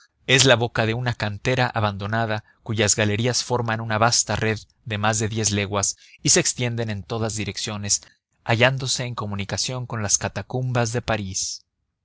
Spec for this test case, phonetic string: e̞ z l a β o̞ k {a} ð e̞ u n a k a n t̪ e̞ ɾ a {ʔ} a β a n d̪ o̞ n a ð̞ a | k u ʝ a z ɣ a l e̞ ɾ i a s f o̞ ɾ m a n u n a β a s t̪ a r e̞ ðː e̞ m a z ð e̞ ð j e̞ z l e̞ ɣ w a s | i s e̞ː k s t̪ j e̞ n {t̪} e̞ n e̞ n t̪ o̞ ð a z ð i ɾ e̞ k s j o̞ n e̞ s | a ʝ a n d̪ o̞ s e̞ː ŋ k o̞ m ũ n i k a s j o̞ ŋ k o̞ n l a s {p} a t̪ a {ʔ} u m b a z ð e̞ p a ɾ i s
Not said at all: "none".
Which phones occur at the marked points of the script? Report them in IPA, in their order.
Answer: a, ʔ, d̪, k, k

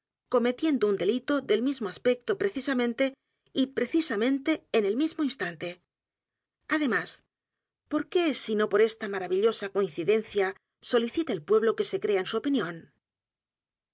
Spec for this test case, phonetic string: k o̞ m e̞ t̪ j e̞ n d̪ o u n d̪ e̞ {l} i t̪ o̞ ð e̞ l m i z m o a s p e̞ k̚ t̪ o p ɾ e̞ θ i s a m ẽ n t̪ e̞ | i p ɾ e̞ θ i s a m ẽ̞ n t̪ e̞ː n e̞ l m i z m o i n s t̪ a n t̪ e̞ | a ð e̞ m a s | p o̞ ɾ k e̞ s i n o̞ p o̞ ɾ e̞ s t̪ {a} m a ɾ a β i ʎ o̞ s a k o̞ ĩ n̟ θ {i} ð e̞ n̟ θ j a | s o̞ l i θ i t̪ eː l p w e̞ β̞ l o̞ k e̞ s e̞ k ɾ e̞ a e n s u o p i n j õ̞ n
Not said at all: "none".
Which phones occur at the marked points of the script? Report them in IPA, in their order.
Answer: l, a, i

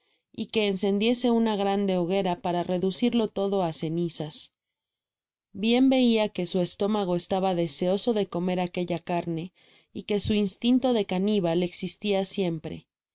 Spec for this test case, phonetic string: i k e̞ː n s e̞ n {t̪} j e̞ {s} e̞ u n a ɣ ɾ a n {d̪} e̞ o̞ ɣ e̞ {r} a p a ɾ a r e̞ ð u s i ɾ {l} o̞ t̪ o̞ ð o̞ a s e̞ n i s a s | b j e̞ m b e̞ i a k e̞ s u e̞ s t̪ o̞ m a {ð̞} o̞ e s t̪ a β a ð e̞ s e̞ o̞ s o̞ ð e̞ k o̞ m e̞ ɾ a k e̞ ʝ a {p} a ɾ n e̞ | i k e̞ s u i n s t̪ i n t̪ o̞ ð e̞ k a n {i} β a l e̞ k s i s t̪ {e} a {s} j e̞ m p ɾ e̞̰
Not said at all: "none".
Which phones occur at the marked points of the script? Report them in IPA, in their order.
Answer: d̪, s, d̪, ɾ, l, ɣ̞, k, i, i, s

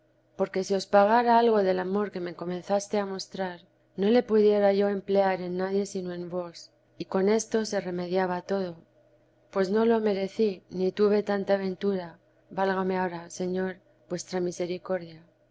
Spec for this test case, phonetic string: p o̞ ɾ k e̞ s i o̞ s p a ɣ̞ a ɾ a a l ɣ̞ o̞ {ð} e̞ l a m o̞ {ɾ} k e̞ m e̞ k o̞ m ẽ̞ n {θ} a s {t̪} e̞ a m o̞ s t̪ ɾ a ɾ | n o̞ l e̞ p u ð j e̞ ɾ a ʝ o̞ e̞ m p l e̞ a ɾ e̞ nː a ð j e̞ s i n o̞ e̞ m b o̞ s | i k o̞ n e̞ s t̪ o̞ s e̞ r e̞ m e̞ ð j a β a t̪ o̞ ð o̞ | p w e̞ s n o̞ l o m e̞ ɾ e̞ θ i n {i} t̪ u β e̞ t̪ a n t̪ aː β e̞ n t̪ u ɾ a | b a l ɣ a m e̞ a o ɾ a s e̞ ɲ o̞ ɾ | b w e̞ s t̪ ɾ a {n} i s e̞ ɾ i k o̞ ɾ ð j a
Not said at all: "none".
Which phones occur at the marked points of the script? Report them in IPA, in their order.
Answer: ð, ɾ, θ, t̪, i, m

